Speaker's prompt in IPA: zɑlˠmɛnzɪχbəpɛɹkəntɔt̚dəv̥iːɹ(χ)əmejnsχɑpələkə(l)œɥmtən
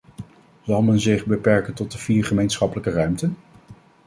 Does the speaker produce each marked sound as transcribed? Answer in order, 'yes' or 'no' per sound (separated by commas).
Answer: yes, no